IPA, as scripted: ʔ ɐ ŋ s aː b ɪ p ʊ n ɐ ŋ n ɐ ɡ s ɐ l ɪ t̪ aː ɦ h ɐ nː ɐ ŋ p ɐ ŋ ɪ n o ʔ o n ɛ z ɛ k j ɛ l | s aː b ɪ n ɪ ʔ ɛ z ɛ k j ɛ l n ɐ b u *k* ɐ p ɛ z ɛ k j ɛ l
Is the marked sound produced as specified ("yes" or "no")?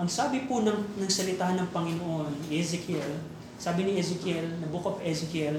yes